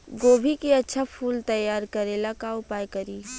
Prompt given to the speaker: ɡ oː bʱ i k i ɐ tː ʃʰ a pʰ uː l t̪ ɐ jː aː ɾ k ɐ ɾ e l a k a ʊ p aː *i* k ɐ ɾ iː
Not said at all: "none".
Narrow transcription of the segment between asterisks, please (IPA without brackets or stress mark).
j